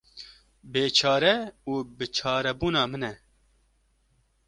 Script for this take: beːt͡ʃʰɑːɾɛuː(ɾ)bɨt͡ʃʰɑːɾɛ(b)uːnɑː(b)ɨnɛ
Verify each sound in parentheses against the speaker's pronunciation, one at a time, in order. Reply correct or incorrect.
incorrect, correct, incorrect

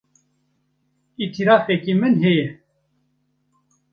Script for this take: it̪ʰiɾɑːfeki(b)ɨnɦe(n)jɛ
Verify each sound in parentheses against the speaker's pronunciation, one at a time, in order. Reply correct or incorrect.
incorrect, incorrect

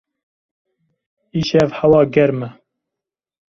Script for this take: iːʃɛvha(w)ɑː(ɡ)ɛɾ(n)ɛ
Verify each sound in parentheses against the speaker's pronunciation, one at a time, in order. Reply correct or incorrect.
correct, correct, incorrect

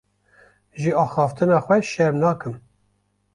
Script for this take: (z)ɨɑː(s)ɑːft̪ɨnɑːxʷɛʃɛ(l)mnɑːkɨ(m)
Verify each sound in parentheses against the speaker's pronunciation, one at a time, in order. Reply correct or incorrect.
incorrect, incorrect, incorrect, correct

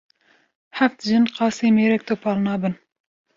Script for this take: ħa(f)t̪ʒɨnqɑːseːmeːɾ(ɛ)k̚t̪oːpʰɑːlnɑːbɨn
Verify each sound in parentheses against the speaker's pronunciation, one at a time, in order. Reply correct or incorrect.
correct, correct

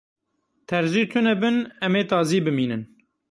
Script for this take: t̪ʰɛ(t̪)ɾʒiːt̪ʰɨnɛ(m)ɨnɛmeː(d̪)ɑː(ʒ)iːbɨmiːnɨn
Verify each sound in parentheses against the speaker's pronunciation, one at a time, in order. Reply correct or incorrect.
incorrect, incorrect, incorrect, incorrect

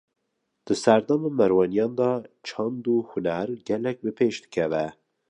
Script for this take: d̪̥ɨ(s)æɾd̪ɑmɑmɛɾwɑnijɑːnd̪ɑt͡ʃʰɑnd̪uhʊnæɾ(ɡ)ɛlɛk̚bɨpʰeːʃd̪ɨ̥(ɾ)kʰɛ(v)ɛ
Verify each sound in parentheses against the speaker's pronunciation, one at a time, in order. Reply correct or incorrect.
correct, correct, incorrect, correct

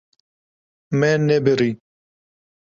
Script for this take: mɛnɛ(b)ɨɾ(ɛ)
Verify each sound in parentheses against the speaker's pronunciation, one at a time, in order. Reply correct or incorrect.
correct, incorrect

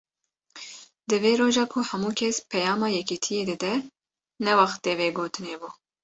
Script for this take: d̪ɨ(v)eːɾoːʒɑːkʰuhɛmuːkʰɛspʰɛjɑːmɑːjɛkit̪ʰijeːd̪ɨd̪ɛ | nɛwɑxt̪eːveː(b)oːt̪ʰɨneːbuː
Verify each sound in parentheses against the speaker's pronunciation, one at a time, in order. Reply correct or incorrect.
correct, incorrect

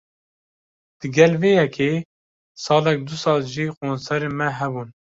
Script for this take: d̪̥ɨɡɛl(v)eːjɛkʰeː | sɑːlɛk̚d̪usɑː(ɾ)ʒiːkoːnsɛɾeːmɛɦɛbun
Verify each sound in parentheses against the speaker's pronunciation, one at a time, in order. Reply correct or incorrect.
correct, incorrect

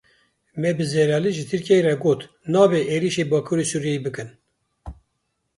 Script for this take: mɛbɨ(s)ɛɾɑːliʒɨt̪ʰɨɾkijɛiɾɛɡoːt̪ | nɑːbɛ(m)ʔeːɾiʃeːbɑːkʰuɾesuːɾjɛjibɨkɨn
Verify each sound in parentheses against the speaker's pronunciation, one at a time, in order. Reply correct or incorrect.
incorrect, incorrect

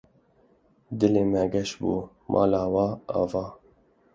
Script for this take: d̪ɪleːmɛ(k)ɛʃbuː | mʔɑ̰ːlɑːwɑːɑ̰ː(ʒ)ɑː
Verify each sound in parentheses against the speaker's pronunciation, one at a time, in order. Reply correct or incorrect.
incorrect, incorrect

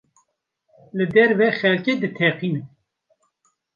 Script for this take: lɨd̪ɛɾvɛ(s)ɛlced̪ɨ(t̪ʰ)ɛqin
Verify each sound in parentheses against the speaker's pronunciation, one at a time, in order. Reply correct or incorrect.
incorrect, correct

